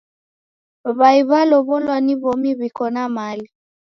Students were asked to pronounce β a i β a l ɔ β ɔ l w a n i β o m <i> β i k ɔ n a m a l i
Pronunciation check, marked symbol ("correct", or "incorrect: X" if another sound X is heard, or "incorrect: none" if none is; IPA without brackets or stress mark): correct